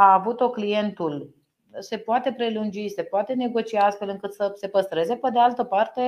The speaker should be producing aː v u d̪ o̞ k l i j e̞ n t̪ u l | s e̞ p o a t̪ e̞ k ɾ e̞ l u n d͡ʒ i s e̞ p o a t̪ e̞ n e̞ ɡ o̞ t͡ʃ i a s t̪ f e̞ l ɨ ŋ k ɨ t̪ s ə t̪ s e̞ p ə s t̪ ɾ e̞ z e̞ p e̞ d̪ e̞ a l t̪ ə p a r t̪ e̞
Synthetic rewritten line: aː v u t̪ o̞ k l i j e̞ n t̪ u l | s e̞ p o a t̪ e̞ p ɾ e̞ l u n d͡ʒ i s e̞ p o a t̪ e̞ n e̞ ɡ o̞ t͡ʃ i a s t̪ f e̞ l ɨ ŋ k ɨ t̪ s ə s e̞ p ə s t̪ ɾ e̞ z e̞ p e̞ d̪ e̞ a l t̪ ə p a r t̪ e̞